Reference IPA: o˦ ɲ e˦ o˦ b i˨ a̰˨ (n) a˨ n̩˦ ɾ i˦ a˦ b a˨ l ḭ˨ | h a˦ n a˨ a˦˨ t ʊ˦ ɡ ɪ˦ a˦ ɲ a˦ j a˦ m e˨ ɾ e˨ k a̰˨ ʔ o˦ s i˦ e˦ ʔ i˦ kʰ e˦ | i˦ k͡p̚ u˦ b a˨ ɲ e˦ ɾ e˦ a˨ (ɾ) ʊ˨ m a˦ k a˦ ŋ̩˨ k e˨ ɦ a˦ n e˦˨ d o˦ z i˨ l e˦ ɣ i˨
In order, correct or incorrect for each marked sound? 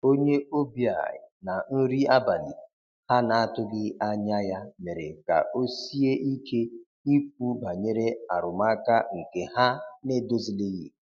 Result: correct, correct

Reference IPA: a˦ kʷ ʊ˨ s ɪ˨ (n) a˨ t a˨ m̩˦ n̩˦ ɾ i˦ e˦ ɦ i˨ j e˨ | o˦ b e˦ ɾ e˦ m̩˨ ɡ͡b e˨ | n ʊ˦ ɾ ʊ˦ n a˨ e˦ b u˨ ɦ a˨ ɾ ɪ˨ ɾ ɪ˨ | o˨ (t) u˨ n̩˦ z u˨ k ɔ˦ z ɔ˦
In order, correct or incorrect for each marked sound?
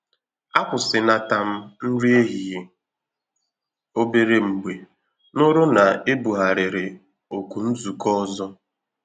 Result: correct, incorrect

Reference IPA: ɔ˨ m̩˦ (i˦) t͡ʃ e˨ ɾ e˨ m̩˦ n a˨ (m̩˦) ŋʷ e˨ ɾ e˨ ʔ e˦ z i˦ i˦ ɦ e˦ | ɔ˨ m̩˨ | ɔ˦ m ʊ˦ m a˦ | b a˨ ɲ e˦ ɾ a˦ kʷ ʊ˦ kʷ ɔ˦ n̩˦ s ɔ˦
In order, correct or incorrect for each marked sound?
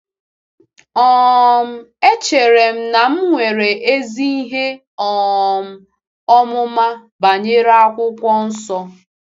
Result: incorrect, correct

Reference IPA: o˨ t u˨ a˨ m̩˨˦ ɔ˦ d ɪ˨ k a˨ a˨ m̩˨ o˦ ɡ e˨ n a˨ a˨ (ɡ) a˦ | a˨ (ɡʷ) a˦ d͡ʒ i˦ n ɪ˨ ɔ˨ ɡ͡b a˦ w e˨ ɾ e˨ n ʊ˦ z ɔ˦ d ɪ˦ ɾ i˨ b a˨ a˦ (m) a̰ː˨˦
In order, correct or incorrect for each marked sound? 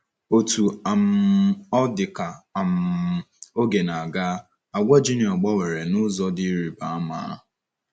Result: correct, correct, correct

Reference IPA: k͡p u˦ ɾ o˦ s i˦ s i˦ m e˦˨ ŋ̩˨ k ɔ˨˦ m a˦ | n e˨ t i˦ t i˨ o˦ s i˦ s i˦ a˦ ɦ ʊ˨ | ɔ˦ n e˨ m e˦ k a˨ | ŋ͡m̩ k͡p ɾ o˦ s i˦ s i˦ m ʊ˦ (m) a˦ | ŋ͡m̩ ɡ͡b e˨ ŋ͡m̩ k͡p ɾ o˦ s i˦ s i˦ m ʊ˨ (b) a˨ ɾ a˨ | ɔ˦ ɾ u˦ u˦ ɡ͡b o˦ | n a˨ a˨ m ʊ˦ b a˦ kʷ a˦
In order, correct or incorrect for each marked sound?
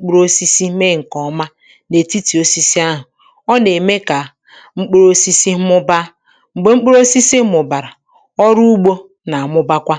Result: incorrect, correct

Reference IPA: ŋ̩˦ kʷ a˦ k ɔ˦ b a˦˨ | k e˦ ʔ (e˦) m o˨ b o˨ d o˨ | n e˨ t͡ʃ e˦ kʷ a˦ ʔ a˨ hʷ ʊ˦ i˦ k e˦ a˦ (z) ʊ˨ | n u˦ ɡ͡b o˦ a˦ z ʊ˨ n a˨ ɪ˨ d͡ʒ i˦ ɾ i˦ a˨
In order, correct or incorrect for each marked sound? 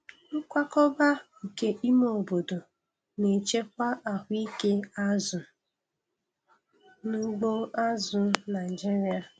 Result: incorrect, correct

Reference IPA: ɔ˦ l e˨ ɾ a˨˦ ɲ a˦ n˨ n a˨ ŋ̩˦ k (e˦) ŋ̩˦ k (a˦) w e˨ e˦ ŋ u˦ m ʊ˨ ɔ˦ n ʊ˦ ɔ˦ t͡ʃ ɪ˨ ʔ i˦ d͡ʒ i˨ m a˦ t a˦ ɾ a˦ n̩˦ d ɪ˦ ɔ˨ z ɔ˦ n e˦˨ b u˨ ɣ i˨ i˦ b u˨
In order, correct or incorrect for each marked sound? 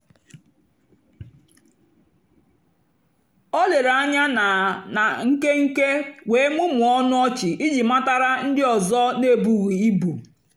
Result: correct, incorrect

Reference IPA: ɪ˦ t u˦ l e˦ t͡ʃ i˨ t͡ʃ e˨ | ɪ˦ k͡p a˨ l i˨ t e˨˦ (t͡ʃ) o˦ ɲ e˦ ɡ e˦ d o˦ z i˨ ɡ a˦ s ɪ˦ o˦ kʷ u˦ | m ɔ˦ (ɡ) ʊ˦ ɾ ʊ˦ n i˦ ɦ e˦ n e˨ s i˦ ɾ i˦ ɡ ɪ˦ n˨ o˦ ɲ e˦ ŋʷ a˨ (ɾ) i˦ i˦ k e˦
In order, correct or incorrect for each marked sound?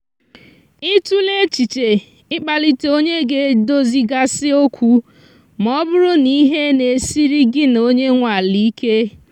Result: incorrect, incorrect, incorrect

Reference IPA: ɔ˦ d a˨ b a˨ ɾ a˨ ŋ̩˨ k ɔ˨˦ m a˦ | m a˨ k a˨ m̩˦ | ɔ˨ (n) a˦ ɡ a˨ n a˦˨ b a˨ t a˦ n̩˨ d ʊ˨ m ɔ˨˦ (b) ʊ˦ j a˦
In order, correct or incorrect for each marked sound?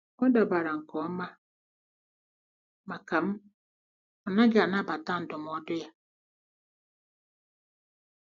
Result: correct, incorrect

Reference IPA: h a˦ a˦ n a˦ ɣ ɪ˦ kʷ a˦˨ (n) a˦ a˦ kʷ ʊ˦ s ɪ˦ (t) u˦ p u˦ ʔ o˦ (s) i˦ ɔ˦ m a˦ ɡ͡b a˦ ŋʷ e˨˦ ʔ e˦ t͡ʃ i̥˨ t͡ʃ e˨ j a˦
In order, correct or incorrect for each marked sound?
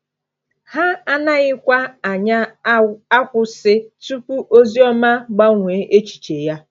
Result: incorrect, correct, incorrect

